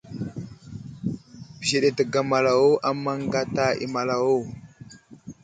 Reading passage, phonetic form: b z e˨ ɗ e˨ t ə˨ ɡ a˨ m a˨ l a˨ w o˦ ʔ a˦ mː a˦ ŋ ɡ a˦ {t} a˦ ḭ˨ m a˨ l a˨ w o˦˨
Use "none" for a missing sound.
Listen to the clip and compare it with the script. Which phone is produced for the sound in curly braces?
t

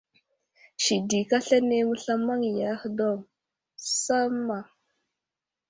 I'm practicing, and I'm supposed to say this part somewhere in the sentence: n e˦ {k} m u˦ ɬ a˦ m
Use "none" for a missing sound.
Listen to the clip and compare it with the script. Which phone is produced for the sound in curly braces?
none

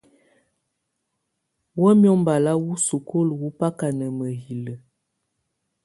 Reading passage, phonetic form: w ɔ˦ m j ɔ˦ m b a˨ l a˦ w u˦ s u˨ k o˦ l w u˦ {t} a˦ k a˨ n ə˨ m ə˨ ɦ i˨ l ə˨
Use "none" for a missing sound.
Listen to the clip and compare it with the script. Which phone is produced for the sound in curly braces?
p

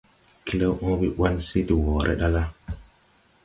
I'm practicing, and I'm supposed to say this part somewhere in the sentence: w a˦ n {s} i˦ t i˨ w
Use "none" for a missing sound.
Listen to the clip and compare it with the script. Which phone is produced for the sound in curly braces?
s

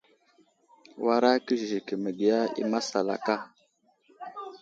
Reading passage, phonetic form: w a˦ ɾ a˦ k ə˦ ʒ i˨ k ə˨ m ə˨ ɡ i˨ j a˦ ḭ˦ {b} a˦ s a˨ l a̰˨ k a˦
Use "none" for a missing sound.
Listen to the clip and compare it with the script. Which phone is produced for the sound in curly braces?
m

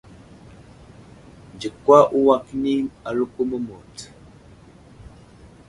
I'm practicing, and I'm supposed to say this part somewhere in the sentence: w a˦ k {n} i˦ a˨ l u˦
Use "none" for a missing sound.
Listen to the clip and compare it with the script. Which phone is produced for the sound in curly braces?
n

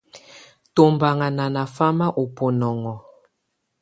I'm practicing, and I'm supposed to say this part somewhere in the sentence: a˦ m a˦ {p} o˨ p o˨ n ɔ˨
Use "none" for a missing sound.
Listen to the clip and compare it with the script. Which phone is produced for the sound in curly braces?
ʔ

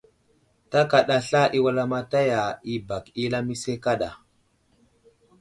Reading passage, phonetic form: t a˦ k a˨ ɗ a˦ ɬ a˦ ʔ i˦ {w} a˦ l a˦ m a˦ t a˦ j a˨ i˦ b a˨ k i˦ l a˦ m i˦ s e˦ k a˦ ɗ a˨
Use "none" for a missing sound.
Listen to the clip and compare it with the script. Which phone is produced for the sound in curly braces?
w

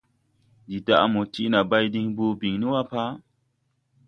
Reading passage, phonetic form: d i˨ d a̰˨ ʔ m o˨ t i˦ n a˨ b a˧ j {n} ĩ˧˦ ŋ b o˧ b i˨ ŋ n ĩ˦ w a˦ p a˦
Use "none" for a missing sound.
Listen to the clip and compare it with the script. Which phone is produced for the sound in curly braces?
d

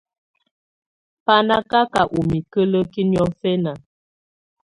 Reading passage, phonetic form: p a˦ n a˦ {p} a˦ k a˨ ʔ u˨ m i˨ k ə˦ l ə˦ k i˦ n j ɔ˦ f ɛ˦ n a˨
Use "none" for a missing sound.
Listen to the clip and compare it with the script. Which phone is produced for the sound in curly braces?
k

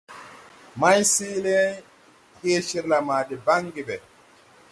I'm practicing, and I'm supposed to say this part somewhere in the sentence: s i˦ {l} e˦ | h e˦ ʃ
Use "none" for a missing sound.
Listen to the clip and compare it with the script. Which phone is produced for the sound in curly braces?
l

